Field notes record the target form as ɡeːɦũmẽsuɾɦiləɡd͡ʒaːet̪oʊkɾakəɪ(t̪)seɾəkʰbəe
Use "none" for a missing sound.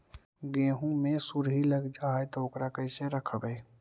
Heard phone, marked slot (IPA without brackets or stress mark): none